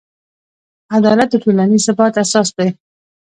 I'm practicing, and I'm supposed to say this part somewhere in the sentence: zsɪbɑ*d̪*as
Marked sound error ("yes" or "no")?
yes